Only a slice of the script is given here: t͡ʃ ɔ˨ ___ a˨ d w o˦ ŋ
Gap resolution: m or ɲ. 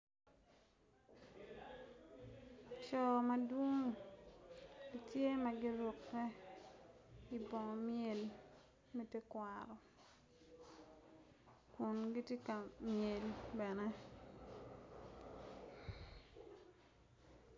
m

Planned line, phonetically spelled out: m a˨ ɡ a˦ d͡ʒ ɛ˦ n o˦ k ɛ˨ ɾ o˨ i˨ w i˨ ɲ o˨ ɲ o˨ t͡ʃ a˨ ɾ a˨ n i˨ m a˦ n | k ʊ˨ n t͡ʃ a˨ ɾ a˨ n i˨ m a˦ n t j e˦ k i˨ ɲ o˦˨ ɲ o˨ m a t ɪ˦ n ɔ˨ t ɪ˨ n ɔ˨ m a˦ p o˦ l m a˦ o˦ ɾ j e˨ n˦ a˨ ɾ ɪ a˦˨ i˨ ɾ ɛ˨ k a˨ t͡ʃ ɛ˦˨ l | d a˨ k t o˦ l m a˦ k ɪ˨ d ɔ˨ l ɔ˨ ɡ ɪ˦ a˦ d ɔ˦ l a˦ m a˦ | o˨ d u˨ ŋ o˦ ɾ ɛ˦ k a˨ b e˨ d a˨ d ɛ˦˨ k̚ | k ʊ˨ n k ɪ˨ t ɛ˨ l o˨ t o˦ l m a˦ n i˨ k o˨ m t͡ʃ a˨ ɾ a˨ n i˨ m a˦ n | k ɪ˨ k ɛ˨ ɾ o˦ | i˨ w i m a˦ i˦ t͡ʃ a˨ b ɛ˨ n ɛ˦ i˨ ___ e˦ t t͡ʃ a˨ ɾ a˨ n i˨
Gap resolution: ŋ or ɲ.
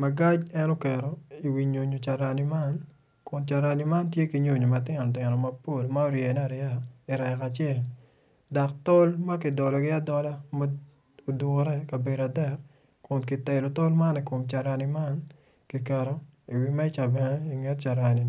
ŋ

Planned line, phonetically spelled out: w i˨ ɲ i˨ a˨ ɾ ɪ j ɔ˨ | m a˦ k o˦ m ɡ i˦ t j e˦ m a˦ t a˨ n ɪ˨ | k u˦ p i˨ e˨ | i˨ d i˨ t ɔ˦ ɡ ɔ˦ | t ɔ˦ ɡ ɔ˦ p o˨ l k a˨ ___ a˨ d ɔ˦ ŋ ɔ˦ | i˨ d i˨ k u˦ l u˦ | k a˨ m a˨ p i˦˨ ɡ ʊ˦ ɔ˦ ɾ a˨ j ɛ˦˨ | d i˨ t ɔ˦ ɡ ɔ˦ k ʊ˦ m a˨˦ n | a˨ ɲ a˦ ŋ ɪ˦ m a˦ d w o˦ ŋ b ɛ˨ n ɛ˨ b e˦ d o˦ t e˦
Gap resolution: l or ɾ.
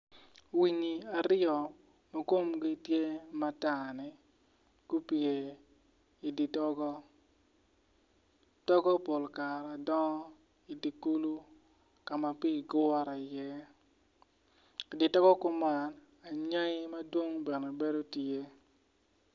ɾ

